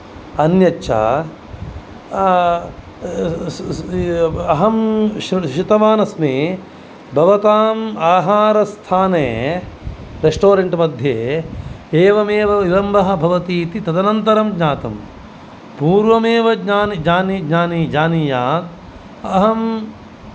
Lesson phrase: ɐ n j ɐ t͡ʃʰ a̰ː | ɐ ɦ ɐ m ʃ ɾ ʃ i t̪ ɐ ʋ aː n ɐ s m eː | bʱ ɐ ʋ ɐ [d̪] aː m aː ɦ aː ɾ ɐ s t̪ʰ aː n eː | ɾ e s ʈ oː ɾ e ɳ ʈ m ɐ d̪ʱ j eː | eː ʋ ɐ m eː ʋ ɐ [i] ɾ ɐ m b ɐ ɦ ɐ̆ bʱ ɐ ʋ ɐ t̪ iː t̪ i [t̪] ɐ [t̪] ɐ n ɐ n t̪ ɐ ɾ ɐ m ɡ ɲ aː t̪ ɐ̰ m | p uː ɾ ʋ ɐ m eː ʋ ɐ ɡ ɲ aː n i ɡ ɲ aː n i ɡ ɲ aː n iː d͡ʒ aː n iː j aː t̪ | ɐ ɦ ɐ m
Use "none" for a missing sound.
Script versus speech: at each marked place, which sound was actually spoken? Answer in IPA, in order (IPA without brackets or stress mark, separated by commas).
t̪, i, t̪, d̪